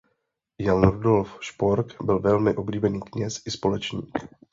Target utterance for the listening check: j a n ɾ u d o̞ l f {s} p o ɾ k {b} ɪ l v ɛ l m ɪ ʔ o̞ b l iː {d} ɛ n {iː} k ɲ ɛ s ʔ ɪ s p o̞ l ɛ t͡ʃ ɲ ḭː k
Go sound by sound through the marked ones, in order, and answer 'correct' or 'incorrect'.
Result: incorrect: ʃ, correct, incorrect: b, correct

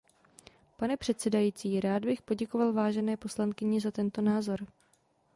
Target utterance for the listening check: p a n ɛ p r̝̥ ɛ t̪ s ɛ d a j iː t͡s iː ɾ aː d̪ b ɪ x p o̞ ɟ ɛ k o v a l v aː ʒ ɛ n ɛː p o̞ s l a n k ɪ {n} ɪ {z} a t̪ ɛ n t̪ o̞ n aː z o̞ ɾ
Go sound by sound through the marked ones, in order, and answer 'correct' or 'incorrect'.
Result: incorrect: ɲ, correct

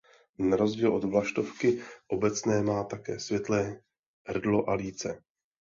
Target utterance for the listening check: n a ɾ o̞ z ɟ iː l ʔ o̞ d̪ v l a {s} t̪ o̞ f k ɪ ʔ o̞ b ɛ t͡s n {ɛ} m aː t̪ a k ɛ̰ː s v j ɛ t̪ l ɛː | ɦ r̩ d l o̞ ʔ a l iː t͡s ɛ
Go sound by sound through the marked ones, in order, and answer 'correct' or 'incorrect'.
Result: incorrect: ʃ, incorrect: ɛː

